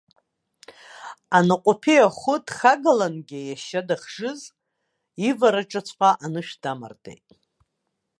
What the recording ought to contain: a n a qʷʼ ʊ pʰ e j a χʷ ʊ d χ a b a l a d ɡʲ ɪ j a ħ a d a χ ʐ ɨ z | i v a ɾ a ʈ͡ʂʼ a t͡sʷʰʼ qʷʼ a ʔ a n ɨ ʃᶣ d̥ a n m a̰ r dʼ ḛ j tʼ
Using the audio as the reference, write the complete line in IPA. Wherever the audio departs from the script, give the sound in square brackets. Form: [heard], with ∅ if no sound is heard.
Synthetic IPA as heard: a n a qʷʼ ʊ pʰ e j a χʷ ʊ d χ a [ɡ] a l a [n] ɡʲ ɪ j a [ʃ] a d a χ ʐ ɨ z | i v a ɾ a ʈ͡ʂʼ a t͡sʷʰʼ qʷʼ a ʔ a n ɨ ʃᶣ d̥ a [∅] m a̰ r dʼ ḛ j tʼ